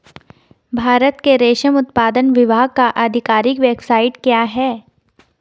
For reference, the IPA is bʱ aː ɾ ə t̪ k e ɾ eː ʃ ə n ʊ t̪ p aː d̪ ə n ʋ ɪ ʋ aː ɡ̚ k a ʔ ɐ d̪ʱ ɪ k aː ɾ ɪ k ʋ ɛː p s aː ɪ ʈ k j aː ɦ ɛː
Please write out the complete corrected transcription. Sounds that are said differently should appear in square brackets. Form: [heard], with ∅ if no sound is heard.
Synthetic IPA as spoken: bʱ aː ɾ ə t̪ k e ɾ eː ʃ ə [m] ʊ t̪ p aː d̪ ə n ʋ ɪ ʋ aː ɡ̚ k a ʔ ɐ d̪ʱ ɪ k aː ɾ ɪ k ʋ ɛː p s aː ɪ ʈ k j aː ɦ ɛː